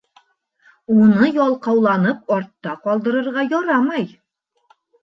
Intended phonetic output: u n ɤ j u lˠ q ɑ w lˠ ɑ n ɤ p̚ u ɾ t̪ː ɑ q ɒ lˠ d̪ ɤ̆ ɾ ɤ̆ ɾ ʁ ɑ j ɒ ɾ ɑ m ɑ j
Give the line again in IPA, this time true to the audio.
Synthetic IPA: u n ɤ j ɒ lˠ q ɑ w lˠ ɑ n ɤ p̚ ɒ ɾ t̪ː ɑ q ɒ lˠ d̪ ɤ̆ ɾ ɤ̆ ɾ ʁ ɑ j ɒ ɾ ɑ m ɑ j

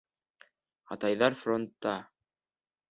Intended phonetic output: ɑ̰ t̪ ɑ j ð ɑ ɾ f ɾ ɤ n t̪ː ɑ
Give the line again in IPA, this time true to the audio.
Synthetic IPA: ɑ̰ t̪ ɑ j ð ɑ ɾ f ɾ o n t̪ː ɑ

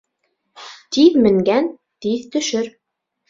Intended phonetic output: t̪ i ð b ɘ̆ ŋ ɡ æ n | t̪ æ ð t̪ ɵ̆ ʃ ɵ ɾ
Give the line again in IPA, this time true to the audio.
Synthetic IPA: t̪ i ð m ɘ̆ ŋ ɡ æ n | t̪ i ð t̪ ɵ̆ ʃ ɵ ɾ

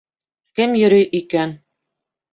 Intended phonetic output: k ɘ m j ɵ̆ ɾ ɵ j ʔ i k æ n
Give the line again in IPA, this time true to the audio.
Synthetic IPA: k ɘ m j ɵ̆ ɾ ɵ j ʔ i k æ n

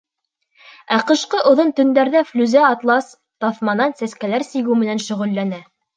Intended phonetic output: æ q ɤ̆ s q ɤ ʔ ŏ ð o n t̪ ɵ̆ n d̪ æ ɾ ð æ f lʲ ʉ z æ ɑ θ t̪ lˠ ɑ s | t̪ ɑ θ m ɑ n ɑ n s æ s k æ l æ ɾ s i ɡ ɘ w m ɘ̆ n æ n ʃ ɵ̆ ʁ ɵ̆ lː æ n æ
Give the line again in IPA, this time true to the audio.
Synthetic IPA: æ q ɤ̆ ʃ q ɤ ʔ ŏ ð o n t̪ ɵ̆ n d̪ æ ɾ ð æ f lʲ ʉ z æ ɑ t̪ lˠ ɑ s | t̪ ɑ θ m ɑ n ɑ n s æ s k æ l æ ɾ s i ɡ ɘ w m ɘ̆ n æ n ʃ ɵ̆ ʁ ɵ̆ lː æ n æ

